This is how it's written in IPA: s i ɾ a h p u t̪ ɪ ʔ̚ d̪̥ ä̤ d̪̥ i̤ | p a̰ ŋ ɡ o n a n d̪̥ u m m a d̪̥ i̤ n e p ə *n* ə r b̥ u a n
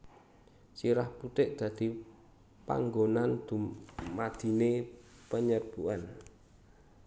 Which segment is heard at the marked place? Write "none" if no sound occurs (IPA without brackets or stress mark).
ɲ